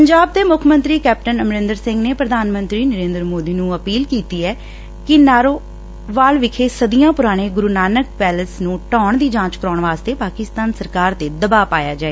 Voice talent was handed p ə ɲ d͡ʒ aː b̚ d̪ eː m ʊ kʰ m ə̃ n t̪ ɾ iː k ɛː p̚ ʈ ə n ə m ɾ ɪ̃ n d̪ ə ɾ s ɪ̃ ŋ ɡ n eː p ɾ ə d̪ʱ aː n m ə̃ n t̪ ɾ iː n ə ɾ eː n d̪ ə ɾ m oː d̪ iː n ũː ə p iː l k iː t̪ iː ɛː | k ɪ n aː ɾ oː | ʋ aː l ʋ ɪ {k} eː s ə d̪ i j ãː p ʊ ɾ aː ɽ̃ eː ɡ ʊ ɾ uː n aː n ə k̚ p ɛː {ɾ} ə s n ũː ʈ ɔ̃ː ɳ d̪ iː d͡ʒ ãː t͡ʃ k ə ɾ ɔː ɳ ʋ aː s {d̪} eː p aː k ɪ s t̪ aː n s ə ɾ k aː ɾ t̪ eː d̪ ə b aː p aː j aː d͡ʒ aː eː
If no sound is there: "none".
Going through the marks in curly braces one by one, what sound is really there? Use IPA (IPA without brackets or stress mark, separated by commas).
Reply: kʰ, l, t̪